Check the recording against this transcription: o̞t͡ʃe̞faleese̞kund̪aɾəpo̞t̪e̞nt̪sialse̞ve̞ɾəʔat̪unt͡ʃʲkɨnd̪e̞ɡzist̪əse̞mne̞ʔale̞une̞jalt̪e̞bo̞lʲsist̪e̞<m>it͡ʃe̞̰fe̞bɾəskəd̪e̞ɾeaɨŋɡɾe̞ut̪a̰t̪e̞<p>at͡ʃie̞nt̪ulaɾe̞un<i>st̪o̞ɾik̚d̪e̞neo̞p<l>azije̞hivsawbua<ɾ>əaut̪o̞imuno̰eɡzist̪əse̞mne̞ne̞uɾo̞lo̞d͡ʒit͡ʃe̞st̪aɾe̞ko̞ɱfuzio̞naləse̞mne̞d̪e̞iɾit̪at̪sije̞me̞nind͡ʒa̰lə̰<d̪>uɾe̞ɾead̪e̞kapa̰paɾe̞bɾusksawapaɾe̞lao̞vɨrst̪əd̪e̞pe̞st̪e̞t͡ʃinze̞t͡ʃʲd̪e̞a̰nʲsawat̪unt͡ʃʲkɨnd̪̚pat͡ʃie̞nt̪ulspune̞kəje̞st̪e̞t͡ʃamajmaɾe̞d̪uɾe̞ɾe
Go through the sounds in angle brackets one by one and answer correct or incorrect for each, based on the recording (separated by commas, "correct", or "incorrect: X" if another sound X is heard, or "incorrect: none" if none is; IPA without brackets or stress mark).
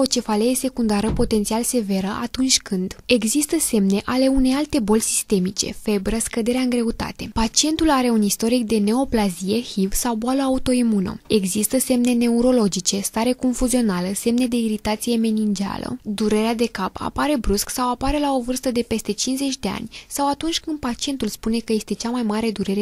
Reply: correct, correct, correct, correct, incorrect: l, correct